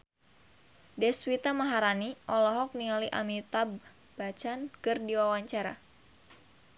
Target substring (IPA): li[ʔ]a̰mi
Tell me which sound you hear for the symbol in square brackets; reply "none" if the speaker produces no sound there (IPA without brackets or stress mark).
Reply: ʔ